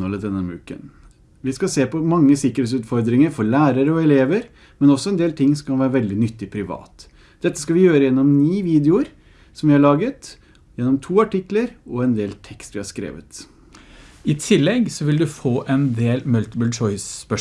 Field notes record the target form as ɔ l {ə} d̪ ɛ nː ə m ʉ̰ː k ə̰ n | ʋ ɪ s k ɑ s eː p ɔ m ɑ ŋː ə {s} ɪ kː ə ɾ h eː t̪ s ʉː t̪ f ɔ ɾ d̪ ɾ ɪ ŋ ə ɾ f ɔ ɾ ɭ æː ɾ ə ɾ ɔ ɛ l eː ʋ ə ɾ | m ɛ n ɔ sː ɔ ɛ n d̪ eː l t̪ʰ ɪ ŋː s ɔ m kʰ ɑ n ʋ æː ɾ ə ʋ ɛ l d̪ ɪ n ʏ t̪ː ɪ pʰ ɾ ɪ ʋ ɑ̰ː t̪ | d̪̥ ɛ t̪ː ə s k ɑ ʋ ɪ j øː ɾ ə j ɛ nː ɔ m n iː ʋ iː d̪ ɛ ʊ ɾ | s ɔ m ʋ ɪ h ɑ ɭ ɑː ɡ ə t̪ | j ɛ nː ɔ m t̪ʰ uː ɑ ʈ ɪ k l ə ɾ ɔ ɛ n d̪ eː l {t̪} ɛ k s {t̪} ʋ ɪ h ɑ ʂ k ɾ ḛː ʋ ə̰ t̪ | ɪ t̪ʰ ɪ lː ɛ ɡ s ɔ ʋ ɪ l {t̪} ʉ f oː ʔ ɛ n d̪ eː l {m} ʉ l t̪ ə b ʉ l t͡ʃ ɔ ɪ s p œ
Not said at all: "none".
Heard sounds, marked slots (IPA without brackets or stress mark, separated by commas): ə, s, t̪ʰ, t̪, d̪, m